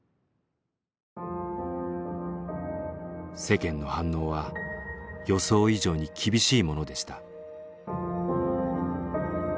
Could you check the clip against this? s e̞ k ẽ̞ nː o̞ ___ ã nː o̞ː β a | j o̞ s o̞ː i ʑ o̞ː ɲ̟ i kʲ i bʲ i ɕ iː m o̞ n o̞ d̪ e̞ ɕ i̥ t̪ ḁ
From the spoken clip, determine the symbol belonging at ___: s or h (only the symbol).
h